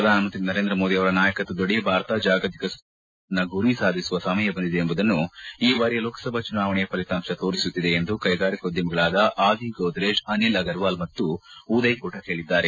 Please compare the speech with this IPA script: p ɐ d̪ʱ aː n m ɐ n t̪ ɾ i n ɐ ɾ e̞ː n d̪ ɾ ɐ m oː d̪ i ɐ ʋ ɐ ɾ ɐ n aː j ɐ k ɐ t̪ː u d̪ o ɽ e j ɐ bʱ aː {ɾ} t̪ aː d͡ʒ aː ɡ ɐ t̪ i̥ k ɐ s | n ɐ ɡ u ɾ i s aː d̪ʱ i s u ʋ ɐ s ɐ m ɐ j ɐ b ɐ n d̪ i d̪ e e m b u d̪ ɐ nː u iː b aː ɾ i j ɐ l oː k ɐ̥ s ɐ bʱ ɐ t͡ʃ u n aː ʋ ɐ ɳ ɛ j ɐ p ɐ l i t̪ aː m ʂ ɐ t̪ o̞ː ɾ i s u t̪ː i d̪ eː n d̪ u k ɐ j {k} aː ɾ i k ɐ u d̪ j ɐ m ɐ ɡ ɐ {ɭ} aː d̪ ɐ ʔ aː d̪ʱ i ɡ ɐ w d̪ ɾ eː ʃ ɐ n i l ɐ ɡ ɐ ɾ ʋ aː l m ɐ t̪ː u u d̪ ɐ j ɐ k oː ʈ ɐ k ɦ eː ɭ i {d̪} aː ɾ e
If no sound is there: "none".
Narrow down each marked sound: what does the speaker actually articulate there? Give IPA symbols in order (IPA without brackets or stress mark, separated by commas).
ɾ, ɡ, ɭ, d̪ː